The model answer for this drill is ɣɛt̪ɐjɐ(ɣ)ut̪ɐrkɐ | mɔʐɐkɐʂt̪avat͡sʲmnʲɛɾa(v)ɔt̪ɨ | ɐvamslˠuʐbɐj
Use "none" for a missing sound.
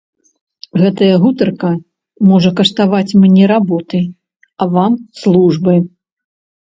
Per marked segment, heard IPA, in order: ɣ, b

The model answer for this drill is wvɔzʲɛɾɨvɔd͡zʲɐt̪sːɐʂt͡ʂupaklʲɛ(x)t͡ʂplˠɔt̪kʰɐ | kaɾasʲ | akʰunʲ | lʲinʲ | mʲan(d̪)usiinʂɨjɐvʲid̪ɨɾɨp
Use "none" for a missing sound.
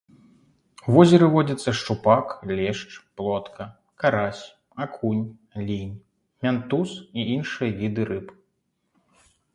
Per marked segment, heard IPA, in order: ʂ, t̪

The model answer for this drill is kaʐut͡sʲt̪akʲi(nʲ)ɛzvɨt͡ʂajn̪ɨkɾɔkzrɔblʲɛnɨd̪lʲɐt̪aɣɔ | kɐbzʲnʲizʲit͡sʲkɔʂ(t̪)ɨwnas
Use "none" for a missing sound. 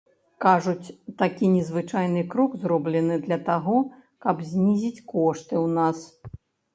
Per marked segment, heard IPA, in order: nʲ, t̪

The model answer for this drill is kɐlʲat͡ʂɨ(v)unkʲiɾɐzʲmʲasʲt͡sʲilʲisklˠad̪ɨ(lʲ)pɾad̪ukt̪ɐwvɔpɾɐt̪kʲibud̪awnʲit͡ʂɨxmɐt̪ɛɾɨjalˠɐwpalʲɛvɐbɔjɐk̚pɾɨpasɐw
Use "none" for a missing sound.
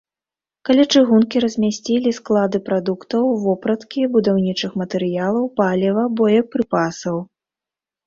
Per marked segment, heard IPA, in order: ɣ, none

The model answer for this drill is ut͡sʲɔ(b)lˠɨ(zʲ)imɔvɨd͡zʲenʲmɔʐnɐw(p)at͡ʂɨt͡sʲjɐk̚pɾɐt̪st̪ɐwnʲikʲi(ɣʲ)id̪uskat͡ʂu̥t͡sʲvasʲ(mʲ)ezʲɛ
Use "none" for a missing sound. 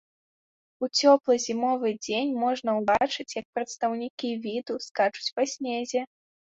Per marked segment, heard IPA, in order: p, zʲ, b, vʲ, nʲ

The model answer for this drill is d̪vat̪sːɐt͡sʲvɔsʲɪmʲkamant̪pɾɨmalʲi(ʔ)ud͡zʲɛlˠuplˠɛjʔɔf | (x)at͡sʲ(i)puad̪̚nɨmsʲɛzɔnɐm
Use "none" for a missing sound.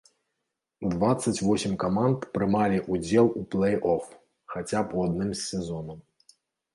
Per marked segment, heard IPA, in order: ʔ, x, a

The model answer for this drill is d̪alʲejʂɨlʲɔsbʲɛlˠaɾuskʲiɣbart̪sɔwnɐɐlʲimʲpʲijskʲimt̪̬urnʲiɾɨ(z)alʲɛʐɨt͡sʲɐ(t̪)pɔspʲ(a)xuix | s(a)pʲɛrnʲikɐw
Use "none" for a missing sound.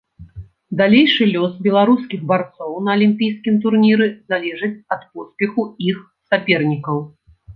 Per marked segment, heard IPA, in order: z, t̪, ɛ, a

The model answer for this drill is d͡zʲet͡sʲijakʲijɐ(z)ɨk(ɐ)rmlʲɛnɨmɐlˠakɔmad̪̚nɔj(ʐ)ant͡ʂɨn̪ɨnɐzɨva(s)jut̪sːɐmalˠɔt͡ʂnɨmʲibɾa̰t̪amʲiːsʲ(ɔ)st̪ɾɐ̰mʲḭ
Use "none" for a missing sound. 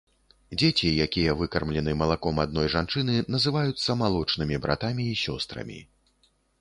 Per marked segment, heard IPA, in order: v, ɐ, ʐ, none, ɔ

